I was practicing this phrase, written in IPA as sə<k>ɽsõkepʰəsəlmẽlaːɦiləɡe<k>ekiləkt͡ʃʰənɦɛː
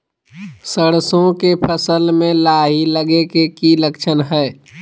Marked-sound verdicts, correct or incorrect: incorrect, correct

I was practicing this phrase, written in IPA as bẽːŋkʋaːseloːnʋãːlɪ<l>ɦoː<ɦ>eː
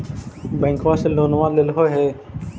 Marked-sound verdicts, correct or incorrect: correct, correct

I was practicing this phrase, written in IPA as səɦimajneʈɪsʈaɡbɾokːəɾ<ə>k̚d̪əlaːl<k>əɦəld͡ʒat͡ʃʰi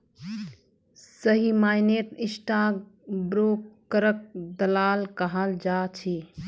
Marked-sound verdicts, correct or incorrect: correct, correct

